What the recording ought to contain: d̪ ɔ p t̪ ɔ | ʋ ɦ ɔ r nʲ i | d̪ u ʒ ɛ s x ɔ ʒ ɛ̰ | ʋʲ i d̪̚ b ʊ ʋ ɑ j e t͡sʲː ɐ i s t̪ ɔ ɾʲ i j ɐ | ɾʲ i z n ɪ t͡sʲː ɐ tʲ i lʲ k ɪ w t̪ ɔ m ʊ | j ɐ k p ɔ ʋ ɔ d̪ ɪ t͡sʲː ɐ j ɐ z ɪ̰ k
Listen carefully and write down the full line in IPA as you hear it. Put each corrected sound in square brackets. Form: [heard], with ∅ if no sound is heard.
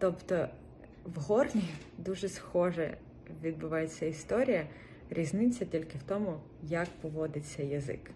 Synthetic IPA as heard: [t̪] ɔ p t̪ ɔ | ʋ ɦ ɔ r nʲ i | d̪ u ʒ ɛ s x ɔ ʒ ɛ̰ | ʋʲ i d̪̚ b ʊ ʋ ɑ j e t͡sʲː ɐ i s t̪ ɔ ɾʲ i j ɐ | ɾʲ i z n ɪ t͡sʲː ɐ tʲ i lʲ k ɪ w t̪ ɔ m ʊ | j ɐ k p ɔ ʋ ɔ d̪ ɪ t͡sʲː ɐ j ɐ z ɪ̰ k